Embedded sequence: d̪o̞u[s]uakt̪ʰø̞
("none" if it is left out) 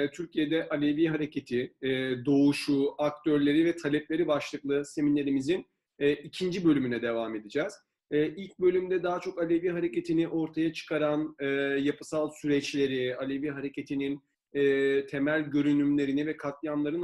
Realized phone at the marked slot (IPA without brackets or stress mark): ʃ